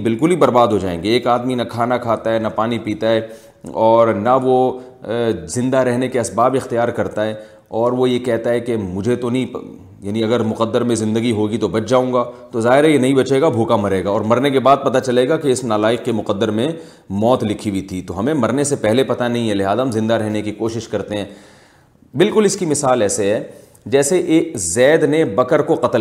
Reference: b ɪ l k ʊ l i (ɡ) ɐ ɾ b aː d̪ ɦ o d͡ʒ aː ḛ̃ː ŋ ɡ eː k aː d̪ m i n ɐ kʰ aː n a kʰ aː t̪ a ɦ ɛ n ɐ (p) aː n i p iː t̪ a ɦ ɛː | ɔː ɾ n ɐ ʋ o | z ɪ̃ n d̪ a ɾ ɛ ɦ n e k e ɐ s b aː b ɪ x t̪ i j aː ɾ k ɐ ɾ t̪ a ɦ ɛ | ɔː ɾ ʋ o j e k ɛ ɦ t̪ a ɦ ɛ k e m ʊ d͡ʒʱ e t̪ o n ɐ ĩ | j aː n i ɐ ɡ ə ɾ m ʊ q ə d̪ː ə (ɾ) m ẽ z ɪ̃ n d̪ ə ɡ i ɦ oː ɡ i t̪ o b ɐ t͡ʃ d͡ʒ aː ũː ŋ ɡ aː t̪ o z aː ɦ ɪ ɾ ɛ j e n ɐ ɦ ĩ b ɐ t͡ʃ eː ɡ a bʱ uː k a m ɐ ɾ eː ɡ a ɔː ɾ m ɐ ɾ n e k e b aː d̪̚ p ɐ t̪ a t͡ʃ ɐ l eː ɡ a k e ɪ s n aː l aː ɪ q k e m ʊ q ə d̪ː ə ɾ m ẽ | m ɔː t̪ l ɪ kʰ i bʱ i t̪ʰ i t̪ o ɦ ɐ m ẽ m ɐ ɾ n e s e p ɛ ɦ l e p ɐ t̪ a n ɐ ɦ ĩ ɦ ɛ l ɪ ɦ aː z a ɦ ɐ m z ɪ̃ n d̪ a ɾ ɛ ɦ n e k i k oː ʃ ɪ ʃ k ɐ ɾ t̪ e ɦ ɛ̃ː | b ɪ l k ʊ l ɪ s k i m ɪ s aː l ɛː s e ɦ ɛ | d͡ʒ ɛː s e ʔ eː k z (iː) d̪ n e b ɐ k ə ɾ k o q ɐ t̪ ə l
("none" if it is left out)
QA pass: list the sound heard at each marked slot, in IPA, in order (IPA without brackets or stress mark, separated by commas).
b, p, ɾ, ɛː